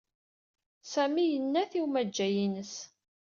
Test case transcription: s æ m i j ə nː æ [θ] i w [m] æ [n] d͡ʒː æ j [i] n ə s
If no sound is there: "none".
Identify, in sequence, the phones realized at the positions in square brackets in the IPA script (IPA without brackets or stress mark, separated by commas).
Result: θ, m, none, i